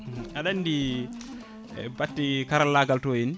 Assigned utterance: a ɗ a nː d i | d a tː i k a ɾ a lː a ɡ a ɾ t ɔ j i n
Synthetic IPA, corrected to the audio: a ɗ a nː d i | b a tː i k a ɾ a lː a ɡ a l t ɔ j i n